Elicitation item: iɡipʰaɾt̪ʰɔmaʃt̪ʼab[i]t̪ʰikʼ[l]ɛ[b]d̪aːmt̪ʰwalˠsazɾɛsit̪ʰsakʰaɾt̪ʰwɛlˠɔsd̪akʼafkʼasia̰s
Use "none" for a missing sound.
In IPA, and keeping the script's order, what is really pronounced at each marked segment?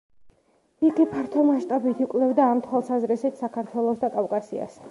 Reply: i, l, v

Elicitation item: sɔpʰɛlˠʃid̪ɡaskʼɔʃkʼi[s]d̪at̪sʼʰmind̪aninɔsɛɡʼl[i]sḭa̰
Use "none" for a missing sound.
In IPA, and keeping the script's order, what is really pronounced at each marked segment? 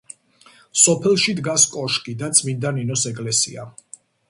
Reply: none, ɛ

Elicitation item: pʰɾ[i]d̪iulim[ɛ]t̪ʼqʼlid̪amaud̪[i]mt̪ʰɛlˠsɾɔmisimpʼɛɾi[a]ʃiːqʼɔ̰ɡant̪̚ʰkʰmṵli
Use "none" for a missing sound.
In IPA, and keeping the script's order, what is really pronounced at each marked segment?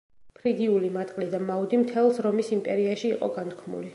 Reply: i, a, i, a

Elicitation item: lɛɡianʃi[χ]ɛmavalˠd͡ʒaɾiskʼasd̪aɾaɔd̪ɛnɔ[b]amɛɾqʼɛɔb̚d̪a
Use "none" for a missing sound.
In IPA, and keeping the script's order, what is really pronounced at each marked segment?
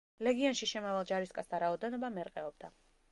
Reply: ʃ, b

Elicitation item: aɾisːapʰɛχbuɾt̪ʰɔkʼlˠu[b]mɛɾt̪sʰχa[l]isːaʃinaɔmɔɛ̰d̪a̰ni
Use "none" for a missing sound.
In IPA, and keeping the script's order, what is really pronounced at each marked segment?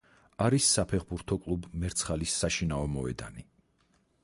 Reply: b, l

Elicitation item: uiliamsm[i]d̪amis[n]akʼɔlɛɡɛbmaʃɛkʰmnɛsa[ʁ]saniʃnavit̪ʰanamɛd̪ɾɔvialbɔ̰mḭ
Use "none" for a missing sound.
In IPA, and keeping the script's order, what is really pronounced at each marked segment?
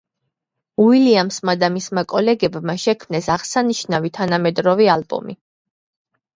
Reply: a, m, ʁ

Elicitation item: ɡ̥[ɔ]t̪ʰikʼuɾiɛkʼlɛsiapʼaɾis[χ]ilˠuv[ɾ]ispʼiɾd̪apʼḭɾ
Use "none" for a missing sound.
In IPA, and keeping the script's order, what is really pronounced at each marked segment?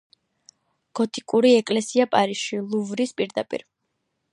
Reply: ɔ, ʃ, ɾ

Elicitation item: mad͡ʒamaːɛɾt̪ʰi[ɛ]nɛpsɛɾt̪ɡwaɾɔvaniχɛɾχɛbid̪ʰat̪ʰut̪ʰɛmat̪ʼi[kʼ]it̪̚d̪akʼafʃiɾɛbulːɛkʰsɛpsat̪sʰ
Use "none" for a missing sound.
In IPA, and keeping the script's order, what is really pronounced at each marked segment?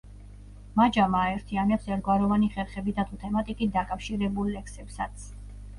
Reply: a, kʼ

